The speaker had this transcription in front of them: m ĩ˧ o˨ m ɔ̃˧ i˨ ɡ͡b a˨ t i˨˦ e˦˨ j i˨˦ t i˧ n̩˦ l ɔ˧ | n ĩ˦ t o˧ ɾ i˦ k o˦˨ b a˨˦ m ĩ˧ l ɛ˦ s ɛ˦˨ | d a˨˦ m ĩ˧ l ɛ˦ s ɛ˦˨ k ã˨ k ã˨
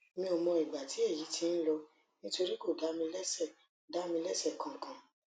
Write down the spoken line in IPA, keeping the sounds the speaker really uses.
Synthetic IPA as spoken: m ĩ˧ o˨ m ɔ̃˧ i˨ ɡ͡b a˨ t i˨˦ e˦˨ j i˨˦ t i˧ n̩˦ l ɔ˧ | n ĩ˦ t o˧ ɾ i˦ k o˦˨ d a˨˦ m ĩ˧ l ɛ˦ s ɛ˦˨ | d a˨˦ m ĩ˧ l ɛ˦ s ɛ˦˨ k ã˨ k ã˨